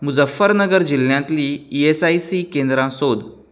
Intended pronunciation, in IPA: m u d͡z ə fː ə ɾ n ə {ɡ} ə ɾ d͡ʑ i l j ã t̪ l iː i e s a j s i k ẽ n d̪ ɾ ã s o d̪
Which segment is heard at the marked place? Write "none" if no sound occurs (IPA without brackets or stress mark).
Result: ɡ